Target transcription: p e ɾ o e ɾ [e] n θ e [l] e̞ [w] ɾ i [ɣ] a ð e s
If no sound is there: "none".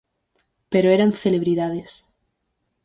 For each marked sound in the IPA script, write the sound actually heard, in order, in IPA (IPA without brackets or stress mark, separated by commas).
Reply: a, l, β, ð